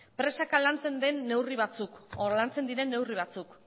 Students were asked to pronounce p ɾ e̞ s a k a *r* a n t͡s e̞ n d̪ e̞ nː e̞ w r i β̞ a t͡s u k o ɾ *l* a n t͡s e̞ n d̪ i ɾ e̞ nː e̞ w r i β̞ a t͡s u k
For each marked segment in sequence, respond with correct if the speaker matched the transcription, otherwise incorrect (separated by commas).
incorrect, correct